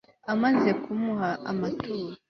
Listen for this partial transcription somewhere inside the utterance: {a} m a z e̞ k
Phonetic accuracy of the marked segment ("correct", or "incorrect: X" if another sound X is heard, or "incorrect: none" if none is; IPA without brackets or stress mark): correct